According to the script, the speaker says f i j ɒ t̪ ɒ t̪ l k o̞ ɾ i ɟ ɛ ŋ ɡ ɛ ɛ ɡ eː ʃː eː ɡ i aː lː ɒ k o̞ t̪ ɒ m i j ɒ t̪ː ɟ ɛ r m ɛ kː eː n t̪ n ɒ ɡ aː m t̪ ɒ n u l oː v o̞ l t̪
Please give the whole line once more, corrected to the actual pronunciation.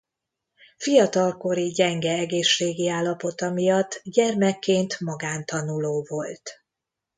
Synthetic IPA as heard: f i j ɒ t̪ ɒ l k o̞ ɾ i ɟ ɛ ŋ ɡ ɛ ɛ ɡ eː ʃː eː ɡ i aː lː ɒ p o̞ t̪ ɒ m i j ɒ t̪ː ɟ ɛ r m ɛ kː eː n t̪ m ɒ ɡ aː n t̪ ɒ n u l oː v o̞ l t̪